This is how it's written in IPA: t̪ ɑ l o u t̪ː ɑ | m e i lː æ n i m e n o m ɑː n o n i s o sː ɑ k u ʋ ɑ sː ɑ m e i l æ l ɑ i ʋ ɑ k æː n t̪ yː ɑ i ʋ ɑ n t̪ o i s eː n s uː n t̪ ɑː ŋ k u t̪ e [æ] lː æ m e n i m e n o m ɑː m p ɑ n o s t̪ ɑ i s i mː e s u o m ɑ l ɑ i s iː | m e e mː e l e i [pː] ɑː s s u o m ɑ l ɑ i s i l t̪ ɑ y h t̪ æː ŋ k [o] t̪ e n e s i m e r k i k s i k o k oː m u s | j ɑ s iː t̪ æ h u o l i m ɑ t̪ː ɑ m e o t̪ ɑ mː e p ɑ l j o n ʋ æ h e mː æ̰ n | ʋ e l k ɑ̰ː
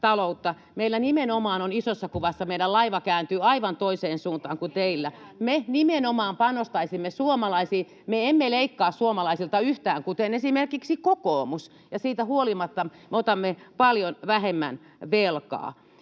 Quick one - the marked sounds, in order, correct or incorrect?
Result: incorrect, incorrect, incorrect

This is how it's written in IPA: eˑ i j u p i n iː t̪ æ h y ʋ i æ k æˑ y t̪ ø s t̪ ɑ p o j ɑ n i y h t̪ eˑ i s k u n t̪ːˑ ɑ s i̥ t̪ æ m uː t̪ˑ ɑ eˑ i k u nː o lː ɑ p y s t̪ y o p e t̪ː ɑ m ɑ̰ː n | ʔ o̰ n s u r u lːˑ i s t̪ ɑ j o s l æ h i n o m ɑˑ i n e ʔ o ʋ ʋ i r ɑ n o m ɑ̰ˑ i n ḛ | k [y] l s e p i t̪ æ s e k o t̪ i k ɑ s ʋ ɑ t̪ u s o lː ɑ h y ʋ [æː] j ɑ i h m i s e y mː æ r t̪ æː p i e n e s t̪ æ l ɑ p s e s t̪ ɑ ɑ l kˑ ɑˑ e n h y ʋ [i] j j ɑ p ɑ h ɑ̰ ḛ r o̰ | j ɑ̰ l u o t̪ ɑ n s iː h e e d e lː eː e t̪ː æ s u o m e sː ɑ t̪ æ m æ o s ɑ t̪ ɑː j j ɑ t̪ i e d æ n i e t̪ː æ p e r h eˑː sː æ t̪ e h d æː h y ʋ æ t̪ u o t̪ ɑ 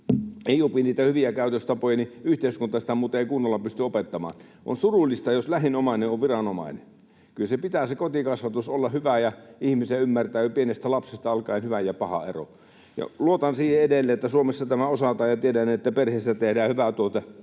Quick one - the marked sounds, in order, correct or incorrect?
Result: correct, incorrect, incorrect

